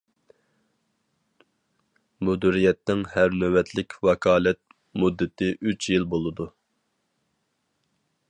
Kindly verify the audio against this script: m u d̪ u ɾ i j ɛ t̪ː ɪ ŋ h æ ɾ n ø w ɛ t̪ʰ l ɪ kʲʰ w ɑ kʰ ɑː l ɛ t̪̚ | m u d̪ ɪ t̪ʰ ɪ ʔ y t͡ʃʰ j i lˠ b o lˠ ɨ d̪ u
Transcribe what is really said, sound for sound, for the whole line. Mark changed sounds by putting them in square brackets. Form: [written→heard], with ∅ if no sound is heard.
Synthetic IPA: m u d̪ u ɾ i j ɛ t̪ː ɪ ŋ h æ ɾ n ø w ɛ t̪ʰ l ɪ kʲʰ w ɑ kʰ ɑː l ɛ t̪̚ | m u [d̪→d̪ː] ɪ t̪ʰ ɪ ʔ y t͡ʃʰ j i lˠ b o lˠ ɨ d̪ u